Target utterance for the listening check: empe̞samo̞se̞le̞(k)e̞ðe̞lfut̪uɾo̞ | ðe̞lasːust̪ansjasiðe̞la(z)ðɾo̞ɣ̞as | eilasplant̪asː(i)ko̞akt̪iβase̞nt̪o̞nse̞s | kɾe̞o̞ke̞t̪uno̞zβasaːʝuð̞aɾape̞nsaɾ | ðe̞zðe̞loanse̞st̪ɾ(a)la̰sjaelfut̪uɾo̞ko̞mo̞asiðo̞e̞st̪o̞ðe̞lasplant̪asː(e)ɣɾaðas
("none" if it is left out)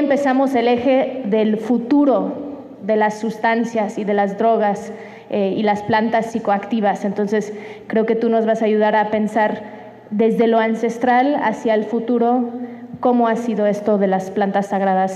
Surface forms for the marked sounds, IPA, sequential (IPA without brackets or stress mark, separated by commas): x, z, i, a, a